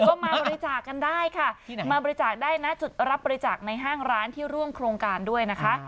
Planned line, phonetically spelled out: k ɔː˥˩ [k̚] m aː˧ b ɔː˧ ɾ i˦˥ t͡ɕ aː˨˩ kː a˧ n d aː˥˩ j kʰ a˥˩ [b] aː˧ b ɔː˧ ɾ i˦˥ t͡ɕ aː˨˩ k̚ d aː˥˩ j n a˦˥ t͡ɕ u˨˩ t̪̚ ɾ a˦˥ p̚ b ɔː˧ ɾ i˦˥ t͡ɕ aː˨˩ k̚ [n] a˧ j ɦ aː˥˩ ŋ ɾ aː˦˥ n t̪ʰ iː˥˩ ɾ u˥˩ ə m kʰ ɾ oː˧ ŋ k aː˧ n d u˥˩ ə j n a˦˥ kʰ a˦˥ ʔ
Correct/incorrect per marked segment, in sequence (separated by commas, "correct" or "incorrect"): incorrect, incorrect, correct